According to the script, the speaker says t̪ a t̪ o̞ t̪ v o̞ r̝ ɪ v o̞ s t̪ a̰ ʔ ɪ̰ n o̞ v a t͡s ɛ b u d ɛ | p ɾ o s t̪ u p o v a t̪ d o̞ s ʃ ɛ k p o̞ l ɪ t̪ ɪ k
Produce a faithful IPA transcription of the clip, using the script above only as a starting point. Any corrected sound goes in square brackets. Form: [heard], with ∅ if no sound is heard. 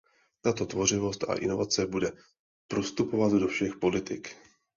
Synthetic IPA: t̪ a t̪ o̞ t̪ v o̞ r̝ ɪ v o̞ s t̪ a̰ ʔ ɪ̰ n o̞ v a t͡s ɛ b u d ɛ | p ɾ o s t̪ u p o v a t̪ d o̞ [f] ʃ ɛ [x] p o̞ l ɪ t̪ ɪ k